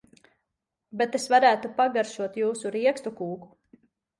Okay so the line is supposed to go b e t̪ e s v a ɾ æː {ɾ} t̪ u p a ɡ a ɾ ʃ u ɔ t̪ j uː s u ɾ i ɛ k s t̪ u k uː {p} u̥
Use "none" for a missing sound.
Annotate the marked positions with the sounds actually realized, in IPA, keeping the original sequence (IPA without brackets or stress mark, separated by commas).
none, k